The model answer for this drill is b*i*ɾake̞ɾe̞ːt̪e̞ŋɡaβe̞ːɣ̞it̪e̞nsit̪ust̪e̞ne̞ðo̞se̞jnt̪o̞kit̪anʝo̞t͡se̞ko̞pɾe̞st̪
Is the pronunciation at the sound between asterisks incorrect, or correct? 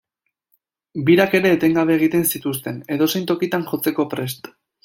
correct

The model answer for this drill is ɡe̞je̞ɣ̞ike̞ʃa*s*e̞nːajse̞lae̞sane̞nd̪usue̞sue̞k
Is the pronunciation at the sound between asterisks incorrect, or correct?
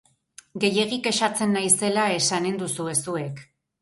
incorrect: t͡s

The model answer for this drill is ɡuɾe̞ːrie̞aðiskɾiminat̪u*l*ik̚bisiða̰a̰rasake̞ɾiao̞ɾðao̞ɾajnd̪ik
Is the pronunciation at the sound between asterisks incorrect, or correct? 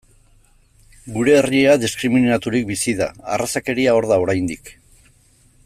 incorrect: ɾ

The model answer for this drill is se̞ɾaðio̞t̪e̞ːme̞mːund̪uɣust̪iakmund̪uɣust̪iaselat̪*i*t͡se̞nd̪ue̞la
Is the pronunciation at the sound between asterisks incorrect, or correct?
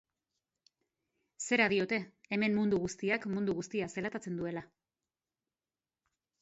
incorrect: a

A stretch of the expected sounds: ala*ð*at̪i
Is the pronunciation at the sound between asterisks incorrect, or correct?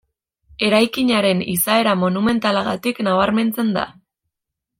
incorrect: ɣ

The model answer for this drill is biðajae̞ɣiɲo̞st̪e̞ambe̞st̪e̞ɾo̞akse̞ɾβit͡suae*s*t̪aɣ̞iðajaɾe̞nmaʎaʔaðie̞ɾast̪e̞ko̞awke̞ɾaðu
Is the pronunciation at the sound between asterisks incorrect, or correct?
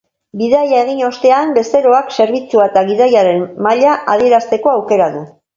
incorrect: none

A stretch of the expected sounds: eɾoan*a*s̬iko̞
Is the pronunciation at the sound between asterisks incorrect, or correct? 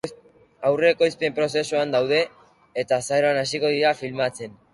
correct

